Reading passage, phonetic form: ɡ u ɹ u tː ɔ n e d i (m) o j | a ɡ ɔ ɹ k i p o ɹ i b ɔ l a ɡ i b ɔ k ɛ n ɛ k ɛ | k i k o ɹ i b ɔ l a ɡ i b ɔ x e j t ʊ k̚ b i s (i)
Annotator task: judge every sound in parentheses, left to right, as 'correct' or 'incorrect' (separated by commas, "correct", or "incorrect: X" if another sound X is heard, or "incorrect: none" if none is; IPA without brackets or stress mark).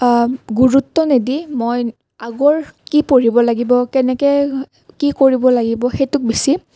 correct, correct